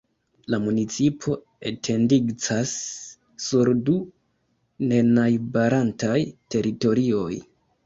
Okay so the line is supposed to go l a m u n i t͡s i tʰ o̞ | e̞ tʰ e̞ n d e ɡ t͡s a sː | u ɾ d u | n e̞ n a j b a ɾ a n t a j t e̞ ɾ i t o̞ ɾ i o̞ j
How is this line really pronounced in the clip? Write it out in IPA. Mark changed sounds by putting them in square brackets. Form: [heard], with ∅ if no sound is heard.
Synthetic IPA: l a m u n i t͡s i [pʰ] o̞ | e̞ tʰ e̞ n d [i] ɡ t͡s a sː | u ɾ d u | n e̞ n a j b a ɾ a n t a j t e̞ ɾ i t o̞ ɾ i o̞ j

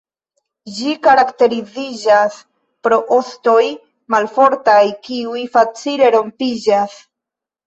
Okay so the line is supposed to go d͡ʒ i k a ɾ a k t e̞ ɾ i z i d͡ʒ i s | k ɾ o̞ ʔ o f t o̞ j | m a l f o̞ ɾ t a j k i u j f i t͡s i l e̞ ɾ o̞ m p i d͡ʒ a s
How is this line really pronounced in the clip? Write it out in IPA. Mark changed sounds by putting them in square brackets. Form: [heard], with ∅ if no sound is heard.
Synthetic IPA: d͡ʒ i k a ɾ a k t e̞ ɾ i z i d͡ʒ [a] s | [p] ɾ o̞ ʔ o [s] t o̞ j | m a l f o̞ ɾ t a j k i u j f [a] t͡s i l e̞ ɾ o̞ m p i d͡ʒ a s

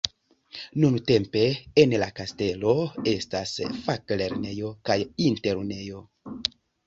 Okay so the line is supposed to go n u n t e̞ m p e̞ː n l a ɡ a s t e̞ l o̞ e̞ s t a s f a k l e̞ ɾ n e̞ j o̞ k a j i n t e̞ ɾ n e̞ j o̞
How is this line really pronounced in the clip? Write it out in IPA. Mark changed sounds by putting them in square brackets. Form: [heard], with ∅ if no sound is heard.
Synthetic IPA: n u n t e̞ m p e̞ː n l a [k] a s t e̞ l o̞ e̞ s t a s f a k l e̞ ɾ n e̞ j o̞ k a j i n t e̞ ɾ n e̞ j o̞

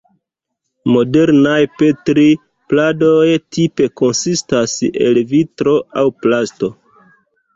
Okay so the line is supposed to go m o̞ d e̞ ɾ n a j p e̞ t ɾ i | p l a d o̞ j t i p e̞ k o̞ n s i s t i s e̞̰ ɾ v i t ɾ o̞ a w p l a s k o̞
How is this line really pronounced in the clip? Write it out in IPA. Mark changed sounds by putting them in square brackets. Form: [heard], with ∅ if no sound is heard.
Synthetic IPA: m o̞ d e̞ ɾ n a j p e̞ t ɾ i | p l a d o̞ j t i p e̞ k o̞ n s i s t [a] s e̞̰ [l] v i t ɾ o̞ a w p l a s [t] o̞

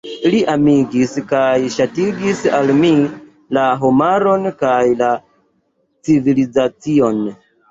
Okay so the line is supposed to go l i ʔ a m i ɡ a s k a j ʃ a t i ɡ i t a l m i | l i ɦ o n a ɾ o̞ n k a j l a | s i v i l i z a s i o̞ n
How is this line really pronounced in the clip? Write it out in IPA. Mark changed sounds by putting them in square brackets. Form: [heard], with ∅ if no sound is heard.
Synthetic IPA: l i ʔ a m i ɡ [i] s k a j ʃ a t i ɡ i [s] a l m i | l [a] ɦ o [m] a ɾ o̞ n k a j l a | [t͡s] i v i l i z a [t͡s] i o̞ n

